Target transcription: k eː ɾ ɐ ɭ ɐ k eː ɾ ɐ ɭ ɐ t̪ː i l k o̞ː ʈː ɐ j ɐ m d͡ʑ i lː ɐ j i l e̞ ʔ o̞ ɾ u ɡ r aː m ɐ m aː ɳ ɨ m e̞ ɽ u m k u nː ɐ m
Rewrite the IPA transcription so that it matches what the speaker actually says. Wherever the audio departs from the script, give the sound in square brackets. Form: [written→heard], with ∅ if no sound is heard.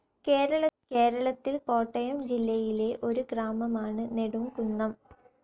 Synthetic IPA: k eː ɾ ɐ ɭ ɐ k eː ɾ ɐ ɭ ɐ t̪ː i l k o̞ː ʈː ɐ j ɐ m d͡ʑ i lː ɐ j i l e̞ ʔ o̞ ɾ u ɡ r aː m ɐ m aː ɳ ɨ [m→n] e̞ ɽ u m k u nː ɐ m